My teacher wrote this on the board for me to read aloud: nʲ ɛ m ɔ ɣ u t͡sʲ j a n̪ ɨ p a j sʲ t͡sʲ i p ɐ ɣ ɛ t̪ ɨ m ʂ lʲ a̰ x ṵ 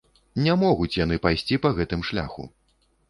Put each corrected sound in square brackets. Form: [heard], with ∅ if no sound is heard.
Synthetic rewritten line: nʲ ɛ m ɔ ɣ u t͡sʲ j a n̪ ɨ p a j sʲ t͡sʲ i p ɐ ɣ ɛ t̪ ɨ m ʂ lʲ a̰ x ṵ